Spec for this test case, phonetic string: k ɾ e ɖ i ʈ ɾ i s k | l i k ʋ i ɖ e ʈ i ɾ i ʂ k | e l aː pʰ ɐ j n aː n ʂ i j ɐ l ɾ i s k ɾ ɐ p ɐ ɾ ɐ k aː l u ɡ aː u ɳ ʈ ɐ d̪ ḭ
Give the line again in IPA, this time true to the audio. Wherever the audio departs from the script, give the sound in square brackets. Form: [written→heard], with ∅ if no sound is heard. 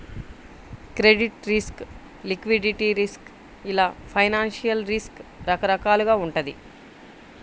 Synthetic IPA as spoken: k ɾ e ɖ i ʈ ɾ i s k | l i k ʋ i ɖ [e→i] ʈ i ɾ i [ʂ→s] k | [e→i] l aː pʰ ɐ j n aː n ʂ i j ɐ l ɾ i s k ɾ ɐ [p→k] ɐ ɾ ɐ k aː l u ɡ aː u ɳ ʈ ɐ d̪ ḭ